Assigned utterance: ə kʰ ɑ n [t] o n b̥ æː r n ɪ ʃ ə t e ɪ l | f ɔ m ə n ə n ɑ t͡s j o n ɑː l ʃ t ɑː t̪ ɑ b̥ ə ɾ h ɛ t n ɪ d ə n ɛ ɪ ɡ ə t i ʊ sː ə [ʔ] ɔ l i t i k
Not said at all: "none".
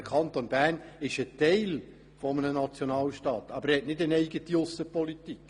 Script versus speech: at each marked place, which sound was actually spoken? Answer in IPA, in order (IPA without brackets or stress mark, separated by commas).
t, p